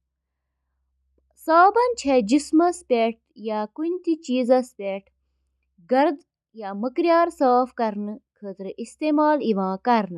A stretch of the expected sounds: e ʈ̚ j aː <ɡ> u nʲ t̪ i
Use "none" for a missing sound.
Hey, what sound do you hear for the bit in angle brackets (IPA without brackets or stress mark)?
k